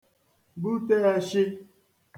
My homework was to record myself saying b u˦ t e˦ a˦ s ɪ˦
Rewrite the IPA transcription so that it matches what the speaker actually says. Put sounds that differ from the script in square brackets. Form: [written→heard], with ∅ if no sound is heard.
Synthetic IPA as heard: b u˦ t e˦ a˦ [s→ʃ] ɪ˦